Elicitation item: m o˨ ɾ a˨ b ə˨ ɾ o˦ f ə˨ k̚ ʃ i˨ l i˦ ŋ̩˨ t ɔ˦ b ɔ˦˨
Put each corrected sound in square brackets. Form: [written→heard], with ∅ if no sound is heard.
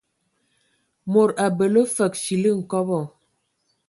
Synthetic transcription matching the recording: m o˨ ɾ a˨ b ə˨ [ɾ→l] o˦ f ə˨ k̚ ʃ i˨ l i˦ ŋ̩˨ [t→k] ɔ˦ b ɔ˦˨